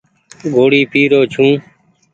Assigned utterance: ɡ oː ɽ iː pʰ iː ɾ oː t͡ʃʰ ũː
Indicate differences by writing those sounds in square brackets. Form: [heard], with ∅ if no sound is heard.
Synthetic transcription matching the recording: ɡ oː ɽ iː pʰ iː ɾ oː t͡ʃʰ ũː